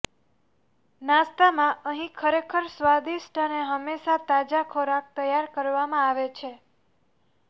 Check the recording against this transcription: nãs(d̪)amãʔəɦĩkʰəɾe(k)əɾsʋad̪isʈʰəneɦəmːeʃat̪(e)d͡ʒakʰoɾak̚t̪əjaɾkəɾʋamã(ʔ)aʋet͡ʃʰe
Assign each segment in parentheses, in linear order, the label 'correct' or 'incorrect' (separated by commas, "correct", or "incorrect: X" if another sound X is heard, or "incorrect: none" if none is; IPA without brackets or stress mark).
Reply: incorrect: t̪, incorrect: kʰ, incorrect: a, incorrect: none